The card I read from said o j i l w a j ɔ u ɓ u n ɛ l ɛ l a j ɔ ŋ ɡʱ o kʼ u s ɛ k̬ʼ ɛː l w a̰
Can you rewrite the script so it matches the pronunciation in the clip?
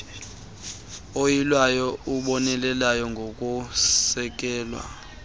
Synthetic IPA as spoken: o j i l w a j ɔ u ɓ ɔ n ɛ l ɛ l a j ɔ ŋ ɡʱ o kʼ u s ɛ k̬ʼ ɛː l w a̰